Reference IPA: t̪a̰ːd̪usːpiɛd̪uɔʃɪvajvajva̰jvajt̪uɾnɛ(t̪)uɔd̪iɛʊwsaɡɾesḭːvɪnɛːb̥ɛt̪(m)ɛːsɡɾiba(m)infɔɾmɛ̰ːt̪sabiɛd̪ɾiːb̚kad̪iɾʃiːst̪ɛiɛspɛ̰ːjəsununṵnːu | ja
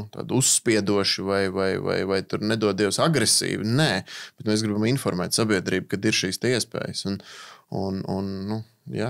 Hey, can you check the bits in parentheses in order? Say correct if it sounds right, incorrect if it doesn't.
incorrect: d̪, correct, correct

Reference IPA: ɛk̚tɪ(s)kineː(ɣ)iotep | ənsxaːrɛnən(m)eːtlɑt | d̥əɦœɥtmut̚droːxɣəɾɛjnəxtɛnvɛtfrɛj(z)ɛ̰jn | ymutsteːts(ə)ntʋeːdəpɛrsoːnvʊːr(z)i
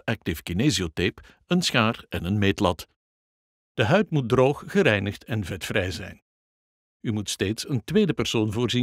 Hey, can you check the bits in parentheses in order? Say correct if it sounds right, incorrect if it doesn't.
incorrect: f, incorrect: z, correct, correct, correct, correct

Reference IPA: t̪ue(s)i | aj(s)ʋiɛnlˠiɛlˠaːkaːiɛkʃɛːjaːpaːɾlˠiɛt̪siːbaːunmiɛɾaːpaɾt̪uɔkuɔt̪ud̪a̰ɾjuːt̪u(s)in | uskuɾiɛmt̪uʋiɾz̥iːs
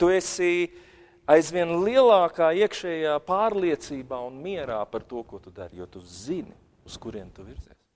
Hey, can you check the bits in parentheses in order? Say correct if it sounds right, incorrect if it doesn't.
correct, incorrect: z, incorrect: z

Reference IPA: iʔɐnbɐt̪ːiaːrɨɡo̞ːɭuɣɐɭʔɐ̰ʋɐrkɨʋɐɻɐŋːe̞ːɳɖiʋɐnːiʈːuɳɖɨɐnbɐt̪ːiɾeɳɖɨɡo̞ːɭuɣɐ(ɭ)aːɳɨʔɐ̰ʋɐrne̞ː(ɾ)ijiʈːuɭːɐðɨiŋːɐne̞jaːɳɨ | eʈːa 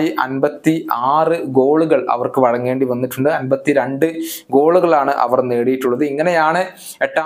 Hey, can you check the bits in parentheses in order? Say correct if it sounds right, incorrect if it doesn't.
correct, incorrect: ɽ

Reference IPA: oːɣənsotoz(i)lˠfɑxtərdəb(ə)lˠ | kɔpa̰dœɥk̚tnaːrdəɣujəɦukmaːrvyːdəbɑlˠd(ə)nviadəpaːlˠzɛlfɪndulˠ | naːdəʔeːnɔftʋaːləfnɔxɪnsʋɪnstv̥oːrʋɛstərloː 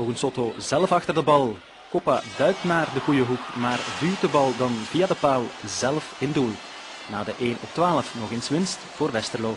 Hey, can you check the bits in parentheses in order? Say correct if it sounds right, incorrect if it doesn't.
incorrect: ɛ, incorrect: ɑ, incorrect: ɑ

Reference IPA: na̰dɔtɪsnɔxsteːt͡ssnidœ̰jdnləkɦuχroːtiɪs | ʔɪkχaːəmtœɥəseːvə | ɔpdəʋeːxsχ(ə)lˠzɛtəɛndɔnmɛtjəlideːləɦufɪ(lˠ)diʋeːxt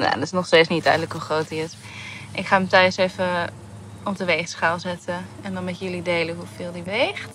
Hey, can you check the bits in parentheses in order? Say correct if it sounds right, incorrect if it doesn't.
incorrect: a, correct

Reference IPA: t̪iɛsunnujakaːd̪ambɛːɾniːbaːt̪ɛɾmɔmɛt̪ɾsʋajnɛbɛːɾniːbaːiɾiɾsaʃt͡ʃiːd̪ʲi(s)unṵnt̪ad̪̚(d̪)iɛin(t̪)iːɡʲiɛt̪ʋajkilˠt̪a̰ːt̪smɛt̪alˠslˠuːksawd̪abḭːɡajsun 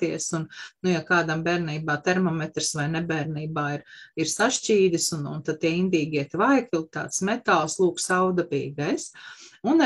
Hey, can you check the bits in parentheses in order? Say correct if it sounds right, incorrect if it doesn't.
correct, incorrect: t̪, incorrect: d̪

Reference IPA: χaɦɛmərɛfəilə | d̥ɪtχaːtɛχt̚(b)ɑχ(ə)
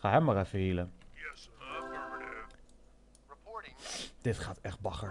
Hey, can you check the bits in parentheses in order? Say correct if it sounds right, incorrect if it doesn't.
correct, correct

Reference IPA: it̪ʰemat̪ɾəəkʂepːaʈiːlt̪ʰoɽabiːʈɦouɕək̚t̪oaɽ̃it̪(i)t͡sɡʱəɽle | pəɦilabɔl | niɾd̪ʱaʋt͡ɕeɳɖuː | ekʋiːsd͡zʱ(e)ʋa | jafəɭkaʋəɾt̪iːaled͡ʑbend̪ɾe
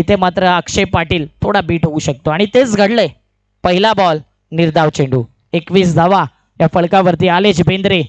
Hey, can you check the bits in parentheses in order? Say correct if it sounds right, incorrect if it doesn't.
incorrect: e, incorrect: a

